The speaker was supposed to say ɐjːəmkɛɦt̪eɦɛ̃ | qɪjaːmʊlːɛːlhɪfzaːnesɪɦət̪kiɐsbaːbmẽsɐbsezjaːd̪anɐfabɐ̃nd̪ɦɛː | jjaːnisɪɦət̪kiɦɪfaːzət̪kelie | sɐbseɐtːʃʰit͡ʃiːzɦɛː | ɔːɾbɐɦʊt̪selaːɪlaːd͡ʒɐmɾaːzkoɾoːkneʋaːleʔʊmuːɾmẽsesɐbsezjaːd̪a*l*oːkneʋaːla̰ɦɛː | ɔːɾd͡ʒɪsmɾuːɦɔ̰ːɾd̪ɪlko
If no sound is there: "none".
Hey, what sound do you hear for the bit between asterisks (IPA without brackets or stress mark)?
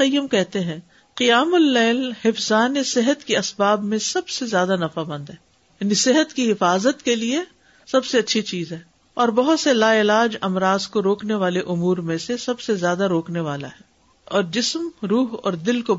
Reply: ɾ